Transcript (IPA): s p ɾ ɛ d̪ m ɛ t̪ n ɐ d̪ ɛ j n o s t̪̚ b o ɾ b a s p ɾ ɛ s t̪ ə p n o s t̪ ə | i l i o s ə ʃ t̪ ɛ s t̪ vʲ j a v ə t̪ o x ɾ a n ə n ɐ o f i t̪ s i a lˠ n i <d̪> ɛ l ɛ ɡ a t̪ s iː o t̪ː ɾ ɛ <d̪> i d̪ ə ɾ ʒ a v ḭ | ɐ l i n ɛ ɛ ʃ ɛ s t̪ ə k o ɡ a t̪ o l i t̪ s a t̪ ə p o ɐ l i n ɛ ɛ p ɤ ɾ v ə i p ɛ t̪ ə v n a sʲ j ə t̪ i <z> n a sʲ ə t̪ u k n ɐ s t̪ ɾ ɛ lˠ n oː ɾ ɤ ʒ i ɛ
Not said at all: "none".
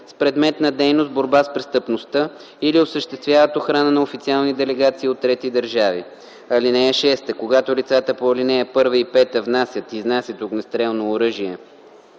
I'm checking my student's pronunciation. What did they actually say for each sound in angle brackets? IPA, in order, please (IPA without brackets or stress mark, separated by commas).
d̪, t̪, z